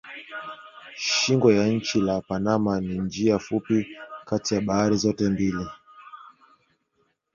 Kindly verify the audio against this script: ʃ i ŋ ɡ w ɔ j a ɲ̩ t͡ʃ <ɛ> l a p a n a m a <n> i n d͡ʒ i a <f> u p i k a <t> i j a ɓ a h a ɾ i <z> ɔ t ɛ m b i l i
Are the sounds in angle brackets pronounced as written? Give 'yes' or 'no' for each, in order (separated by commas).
no, yes, yes, yes, yes